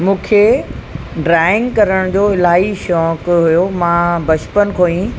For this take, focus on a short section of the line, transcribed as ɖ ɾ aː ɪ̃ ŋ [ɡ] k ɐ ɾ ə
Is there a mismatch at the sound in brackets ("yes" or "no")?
no